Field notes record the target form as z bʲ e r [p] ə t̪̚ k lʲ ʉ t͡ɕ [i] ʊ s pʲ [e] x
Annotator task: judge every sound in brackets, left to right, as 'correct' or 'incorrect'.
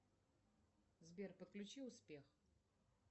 correct, correct, correct

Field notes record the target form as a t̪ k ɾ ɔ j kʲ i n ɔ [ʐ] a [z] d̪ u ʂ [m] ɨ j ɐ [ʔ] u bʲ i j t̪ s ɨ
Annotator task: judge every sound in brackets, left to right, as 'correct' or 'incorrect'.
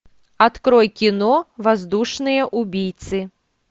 incorrect: v, correct, incorrect: n, correct

